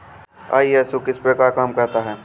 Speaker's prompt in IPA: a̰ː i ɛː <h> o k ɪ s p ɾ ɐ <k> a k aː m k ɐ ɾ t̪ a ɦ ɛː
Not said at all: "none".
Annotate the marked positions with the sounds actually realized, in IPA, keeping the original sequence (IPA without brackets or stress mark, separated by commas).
s, k